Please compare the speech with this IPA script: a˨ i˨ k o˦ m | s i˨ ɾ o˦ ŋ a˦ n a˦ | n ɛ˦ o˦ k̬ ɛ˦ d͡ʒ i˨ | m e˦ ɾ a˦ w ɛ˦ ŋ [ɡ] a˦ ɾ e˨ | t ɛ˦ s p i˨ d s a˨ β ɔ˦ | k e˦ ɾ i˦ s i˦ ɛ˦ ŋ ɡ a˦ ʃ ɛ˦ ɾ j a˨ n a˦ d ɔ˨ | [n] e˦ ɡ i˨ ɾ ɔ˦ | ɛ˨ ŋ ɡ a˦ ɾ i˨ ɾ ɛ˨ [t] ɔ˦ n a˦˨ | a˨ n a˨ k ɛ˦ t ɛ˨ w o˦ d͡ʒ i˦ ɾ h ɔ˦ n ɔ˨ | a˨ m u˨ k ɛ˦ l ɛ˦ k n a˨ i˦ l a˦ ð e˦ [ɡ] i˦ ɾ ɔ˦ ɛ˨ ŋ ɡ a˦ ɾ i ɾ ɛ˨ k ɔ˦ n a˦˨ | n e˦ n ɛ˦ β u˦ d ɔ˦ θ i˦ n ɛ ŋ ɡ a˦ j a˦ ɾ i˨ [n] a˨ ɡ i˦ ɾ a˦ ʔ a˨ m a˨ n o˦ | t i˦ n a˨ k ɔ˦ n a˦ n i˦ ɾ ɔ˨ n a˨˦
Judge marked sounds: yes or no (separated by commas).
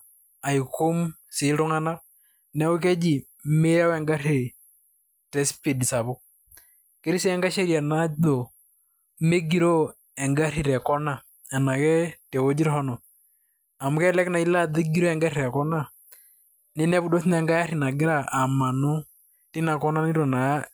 yes, no, no, yes, yes